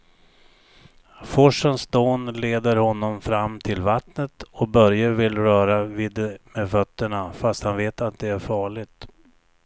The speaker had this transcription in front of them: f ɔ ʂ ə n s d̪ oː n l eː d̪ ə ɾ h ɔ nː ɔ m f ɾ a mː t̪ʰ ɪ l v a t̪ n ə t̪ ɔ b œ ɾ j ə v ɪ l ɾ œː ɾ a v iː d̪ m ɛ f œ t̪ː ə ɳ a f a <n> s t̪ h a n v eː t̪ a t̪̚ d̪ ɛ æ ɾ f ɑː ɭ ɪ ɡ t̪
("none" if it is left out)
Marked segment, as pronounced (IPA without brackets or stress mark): none